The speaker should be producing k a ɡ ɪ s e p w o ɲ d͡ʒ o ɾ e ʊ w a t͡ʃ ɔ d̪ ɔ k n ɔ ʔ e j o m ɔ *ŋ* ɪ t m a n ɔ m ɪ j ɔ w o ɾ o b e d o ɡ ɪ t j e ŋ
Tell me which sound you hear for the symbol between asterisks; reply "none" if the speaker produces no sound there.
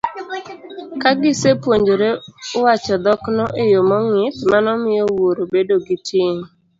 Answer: ŋ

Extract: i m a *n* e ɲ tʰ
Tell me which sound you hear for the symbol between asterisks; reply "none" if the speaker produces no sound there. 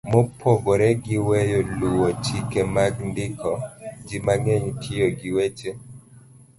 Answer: ŋ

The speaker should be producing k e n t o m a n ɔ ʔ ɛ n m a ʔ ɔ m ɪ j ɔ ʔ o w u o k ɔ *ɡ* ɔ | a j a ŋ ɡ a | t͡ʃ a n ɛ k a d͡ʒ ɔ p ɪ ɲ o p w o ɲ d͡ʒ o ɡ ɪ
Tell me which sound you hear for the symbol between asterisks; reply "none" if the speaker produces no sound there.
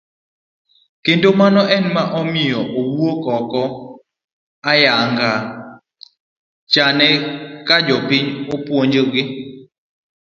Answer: k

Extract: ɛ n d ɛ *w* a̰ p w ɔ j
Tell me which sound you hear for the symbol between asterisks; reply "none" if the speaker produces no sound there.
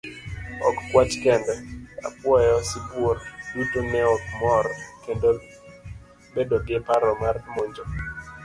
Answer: none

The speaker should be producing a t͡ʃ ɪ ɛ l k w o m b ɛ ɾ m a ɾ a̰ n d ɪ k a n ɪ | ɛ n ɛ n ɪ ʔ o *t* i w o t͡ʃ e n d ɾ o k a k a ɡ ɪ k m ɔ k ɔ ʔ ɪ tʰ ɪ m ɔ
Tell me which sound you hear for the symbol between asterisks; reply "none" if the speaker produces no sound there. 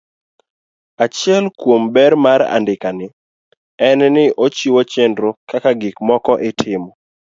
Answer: t͡ʃ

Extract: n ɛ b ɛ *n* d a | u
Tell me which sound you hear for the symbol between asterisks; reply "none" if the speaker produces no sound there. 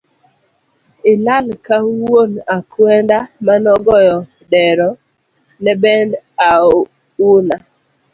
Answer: n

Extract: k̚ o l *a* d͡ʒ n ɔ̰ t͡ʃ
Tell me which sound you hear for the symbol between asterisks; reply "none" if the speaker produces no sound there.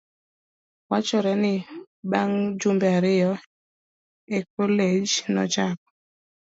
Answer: e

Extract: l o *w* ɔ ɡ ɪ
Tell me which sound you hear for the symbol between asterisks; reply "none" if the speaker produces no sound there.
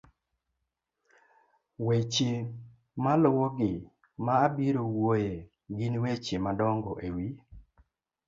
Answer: w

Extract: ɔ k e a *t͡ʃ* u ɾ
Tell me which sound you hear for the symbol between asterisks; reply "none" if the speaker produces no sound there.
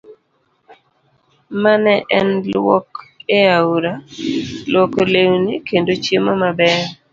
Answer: none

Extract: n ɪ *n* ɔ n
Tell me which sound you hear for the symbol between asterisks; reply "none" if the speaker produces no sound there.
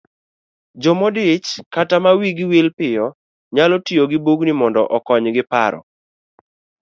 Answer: m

